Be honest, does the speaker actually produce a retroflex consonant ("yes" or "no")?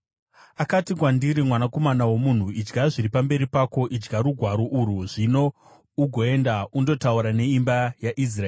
yes